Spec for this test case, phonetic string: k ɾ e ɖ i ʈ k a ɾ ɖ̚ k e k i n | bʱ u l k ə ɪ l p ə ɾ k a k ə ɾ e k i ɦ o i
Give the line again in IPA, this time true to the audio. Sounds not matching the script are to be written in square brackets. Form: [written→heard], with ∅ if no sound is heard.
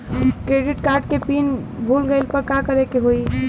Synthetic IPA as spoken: k ɾ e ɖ i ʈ k a ɾ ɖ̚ k e [k→p] i n | bʱ u l [k→ɡ] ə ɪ l p ə ɾ k a k ə ɾ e k [i→e] ɦ o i